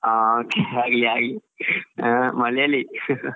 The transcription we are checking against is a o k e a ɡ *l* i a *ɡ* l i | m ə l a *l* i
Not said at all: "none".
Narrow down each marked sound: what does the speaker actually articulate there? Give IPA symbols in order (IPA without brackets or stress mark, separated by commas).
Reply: l, ɡ, l